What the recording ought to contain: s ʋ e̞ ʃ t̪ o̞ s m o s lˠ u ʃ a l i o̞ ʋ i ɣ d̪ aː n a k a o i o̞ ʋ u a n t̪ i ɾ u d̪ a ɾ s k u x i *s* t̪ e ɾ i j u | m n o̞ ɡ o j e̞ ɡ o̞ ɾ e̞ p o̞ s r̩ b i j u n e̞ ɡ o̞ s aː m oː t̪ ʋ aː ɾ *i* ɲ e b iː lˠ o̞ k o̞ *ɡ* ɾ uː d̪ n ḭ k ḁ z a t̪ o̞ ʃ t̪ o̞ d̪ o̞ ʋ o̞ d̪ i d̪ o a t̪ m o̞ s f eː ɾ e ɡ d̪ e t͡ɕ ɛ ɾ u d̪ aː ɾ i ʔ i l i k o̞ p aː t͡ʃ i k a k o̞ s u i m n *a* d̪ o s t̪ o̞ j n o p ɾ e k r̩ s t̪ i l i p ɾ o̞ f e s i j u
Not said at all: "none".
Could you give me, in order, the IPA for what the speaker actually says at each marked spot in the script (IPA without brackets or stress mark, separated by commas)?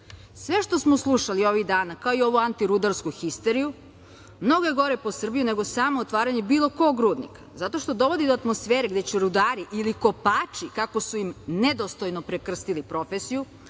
s, a, ɡ, e